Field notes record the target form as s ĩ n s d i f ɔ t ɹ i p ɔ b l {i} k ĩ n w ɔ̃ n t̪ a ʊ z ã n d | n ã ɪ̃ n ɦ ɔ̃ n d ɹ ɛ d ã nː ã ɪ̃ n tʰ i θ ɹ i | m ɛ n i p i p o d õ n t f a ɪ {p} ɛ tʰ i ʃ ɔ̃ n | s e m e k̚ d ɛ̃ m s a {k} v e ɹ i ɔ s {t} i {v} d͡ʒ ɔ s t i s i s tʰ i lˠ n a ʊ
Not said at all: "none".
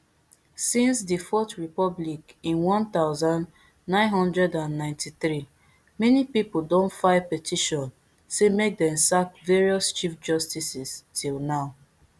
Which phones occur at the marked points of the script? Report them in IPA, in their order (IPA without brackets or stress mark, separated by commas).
i, p, k, t͡ʃ, f